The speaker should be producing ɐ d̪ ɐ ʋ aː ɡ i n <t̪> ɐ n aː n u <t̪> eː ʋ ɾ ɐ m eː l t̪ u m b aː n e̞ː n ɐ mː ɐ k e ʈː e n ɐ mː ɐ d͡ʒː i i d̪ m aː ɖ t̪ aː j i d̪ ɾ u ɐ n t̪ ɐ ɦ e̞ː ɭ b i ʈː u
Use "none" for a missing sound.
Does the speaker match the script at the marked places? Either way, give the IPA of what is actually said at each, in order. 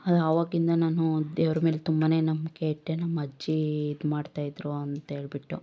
d̪, d̪

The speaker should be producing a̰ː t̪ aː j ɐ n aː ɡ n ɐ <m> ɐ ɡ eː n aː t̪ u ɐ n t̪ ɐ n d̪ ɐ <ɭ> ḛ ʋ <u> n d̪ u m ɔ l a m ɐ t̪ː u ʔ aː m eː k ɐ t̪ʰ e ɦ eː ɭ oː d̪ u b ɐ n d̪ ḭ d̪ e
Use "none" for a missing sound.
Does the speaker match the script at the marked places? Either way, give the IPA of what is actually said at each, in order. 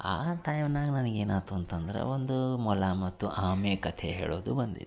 n, ɾ, o

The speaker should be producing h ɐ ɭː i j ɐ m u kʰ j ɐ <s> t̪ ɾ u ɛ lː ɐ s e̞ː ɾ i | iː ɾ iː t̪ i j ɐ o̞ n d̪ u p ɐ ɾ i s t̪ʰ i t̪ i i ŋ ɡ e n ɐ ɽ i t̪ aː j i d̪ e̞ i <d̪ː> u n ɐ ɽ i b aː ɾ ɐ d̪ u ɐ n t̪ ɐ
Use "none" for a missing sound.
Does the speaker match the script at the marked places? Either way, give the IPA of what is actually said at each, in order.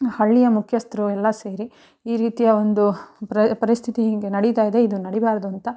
s, d̪

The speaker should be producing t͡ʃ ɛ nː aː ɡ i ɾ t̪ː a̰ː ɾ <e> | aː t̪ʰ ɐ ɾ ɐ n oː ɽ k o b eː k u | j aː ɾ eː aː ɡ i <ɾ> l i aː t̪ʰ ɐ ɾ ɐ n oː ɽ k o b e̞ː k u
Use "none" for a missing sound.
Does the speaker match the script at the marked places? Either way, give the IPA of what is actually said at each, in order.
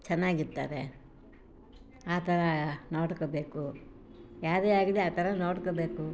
e, none

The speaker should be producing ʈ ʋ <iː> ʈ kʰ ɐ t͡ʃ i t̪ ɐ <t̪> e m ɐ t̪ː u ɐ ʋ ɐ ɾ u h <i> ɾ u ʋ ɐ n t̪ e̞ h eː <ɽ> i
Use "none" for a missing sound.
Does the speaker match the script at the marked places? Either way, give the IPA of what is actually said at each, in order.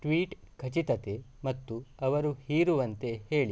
iː, t̪, iː, ɭ

